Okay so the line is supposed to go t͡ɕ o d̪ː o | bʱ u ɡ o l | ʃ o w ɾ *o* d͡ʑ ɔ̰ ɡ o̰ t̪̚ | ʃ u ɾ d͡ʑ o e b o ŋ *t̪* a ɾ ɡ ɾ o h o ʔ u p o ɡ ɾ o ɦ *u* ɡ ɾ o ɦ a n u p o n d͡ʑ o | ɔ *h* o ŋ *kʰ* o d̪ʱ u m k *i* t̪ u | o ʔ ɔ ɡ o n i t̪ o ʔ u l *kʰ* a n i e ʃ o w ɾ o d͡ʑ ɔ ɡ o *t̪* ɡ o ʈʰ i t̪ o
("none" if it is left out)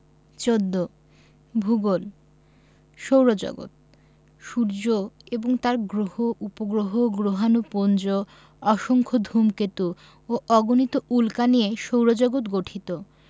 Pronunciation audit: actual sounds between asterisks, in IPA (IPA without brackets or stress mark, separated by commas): o, t̪, o, ʃ, kʰ, e, k, t̪